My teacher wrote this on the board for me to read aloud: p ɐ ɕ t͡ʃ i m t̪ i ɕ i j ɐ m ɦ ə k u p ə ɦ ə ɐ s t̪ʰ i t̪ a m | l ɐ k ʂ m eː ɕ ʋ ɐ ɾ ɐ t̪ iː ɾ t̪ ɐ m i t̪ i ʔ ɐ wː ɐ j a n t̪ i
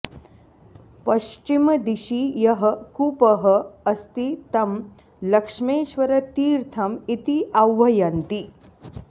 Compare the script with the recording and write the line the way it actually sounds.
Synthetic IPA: p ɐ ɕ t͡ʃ i m d̪ i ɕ i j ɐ ɦ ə k u p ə ɦ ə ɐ s t̪ i t̪ ɐ m | l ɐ k ʂ m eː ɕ ʋ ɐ ɾ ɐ t̪ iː ɾ t̪ʰ ɐ m i t̪ i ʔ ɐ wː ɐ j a n t̪ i